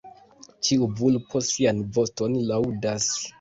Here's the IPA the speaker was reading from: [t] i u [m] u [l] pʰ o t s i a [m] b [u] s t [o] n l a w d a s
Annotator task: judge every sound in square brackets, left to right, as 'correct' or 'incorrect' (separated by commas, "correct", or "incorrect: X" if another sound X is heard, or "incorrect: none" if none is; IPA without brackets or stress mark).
incorrect: t͡ʃ, incorrect: b, correct, incorrect: n, incorrect: o, correct